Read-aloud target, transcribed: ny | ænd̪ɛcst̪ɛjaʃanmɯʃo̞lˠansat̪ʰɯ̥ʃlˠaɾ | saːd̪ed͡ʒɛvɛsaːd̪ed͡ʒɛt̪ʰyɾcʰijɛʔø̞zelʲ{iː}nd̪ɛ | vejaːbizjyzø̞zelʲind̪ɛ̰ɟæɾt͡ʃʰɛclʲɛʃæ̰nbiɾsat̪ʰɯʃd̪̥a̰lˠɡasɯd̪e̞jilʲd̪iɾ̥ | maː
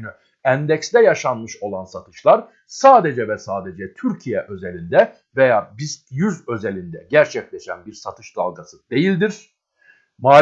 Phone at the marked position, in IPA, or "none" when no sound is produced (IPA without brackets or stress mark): i